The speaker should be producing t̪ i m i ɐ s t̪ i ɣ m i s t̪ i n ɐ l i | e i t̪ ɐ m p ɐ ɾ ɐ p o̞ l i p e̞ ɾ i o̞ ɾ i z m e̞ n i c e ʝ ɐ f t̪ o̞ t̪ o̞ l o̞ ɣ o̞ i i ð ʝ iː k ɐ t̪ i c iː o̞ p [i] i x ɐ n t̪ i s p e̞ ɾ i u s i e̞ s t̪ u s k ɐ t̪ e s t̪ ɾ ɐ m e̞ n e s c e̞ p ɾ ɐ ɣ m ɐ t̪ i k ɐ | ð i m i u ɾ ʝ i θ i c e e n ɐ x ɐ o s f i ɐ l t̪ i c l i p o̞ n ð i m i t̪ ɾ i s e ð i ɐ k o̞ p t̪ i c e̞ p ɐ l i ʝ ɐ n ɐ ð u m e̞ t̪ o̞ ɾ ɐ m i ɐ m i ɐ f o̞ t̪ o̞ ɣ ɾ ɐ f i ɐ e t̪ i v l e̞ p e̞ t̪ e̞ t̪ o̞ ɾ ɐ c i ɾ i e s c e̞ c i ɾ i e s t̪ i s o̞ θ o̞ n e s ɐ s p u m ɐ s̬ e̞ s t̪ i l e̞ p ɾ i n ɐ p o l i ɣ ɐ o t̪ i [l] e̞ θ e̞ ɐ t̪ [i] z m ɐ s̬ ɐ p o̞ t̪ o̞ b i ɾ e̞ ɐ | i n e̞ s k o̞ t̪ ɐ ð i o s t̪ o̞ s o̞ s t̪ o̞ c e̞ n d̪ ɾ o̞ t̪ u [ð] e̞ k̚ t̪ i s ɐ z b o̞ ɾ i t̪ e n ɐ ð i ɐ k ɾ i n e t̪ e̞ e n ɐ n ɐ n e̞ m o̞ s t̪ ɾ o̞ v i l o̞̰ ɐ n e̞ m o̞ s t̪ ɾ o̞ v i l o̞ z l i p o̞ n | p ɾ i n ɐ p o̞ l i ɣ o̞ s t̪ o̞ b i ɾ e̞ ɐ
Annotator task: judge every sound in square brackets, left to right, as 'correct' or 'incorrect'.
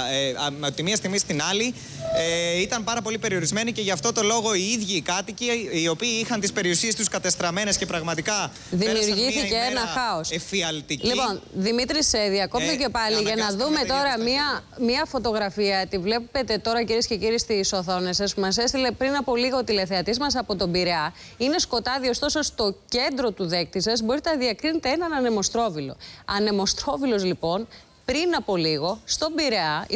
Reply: incorrect: iː, correct, correct, correct

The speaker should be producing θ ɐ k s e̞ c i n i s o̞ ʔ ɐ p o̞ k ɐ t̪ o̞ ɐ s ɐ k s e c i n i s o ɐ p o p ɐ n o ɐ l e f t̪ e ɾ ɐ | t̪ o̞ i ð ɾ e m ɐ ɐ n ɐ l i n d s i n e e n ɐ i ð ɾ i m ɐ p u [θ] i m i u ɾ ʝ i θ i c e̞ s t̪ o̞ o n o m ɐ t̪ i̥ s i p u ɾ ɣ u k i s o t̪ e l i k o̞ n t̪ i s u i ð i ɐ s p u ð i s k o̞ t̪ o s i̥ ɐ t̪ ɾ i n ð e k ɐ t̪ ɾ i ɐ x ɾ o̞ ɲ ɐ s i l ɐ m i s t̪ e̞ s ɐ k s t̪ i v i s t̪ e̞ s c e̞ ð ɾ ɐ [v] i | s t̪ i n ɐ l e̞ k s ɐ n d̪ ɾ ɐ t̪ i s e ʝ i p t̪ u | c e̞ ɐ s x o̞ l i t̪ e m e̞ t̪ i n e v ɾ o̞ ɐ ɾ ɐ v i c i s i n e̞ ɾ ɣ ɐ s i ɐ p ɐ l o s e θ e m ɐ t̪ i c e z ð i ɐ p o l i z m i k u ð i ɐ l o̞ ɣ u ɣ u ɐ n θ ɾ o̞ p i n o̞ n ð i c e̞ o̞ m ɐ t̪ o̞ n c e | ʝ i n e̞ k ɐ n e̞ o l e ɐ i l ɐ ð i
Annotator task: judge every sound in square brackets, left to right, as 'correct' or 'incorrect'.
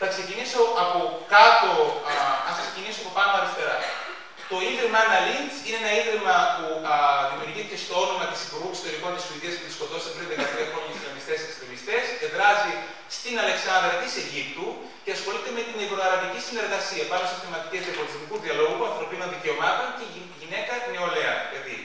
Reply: incorrect: ð, incorrect: z

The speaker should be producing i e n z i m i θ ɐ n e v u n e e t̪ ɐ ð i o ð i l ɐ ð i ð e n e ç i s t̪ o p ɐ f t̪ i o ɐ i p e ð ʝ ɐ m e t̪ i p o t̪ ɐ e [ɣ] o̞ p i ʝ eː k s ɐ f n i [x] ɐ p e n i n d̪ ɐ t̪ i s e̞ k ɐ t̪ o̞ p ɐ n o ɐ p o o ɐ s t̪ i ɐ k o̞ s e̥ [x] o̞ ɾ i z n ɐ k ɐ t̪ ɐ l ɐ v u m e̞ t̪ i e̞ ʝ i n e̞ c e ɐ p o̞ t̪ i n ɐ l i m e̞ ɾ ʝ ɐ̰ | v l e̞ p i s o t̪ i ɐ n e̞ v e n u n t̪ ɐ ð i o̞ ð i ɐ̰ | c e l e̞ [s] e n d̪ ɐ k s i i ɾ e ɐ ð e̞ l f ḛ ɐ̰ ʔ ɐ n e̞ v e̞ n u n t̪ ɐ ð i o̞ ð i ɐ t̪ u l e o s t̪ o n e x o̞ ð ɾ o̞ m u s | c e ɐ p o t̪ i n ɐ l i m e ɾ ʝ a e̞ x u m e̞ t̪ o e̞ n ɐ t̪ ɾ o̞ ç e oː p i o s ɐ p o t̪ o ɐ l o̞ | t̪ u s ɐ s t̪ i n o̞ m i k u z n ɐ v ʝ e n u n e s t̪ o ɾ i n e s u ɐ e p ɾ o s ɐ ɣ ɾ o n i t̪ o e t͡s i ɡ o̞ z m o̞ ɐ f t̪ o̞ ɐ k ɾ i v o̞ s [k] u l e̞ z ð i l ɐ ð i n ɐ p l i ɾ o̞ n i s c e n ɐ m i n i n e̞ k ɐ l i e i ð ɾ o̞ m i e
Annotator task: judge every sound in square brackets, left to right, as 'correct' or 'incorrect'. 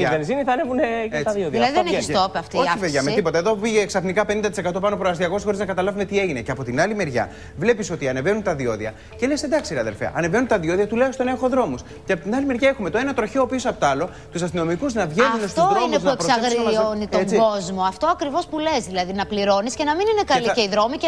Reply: incorrect: ð, incorrect: k, correct, correct, incorrect: p

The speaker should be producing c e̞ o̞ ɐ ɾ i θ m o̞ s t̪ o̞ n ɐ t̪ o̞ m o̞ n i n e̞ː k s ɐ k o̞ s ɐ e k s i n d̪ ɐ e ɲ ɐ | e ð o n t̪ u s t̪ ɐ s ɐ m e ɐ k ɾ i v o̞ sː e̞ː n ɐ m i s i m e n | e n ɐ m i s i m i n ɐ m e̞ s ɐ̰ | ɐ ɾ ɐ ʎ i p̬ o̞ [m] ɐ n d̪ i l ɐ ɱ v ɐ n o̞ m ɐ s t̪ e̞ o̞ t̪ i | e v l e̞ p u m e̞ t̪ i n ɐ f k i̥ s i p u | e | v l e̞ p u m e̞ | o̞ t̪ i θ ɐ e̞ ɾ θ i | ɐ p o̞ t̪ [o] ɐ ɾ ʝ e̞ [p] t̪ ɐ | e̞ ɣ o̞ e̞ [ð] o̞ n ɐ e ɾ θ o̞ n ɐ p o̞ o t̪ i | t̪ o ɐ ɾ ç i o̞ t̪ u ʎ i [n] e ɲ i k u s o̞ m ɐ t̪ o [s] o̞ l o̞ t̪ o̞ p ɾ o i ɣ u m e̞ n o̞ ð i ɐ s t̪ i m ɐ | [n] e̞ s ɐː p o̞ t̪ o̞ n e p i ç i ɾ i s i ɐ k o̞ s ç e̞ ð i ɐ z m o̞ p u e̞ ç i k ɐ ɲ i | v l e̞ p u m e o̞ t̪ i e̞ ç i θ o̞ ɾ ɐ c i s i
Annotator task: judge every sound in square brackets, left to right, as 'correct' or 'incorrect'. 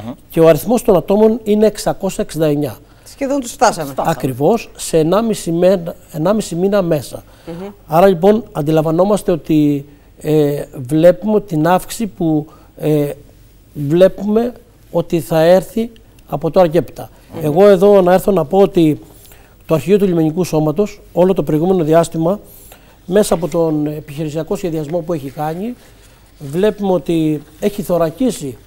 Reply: incorrect: n, correct, correct, correct, incorrect: m, correct, incorrect: m

